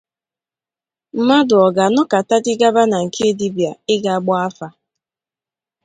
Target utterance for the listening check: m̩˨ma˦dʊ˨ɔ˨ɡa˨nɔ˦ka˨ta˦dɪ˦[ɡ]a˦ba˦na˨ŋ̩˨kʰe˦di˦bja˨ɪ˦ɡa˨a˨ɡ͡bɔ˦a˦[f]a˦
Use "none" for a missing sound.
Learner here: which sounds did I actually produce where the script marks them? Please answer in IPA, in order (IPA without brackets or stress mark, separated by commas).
ɡ, f